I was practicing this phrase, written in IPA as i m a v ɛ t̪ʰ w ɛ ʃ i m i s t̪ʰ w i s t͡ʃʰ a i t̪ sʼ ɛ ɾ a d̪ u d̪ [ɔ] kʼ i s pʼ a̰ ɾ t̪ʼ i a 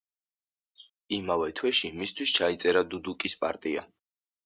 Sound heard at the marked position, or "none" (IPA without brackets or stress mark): u